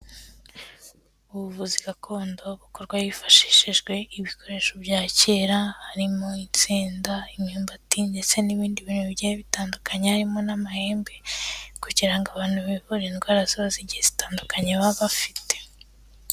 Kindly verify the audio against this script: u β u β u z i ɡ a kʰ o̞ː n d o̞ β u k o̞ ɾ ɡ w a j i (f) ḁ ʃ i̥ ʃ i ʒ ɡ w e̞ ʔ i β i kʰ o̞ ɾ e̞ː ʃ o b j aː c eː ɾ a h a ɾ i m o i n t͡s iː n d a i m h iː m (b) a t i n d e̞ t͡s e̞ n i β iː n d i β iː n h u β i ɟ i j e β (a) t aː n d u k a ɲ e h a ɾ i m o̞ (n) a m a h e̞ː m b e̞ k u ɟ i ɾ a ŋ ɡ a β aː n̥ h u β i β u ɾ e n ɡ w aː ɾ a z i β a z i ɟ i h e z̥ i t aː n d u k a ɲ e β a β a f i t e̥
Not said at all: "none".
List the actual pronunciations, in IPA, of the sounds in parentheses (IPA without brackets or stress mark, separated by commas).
f, b, i, n